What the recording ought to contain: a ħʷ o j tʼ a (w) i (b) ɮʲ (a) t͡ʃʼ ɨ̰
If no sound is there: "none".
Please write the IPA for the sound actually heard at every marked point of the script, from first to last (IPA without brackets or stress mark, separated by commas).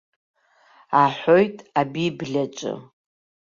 b, b, a